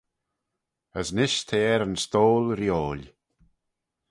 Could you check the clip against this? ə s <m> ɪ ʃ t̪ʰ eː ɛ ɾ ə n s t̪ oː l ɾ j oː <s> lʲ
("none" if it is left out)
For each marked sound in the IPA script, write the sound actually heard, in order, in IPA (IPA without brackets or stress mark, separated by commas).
n, none